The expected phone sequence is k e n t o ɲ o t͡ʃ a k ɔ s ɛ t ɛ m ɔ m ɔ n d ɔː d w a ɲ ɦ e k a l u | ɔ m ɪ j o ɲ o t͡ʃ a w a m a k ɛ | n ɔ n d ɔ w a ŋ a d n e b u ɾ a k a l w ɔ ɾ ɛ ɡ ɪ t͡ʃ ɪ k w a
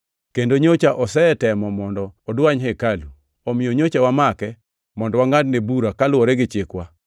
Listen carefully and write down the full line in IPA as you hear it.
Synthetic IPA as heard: k e n d o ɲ o t͡ʃ a ʔ ɔ s ɛ t ɛ m ɔ m ɔ n d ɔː d w a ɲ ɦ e k a l u | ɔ m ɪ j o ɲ o t͡ʃ a w a m a k ɛ | m ɔ n d ɔ w a ŋ a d n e b u ɾ a k a l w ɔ ɾ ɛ ɡ ɪ t͡ʃ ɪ k w a